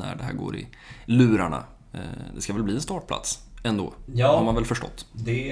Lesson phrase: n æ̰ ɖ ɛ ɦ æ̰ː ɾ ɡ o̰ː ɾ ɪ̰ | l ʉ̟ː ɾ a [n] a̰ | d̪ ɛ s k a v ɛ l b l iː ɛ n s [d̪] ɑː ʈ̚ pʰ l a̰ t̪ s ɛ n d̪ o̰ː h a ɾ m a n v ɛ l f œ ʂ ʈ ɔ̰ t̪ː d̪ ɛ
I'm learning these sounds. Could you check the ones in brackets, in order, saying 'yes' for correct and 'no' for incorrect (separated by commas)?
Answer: no, no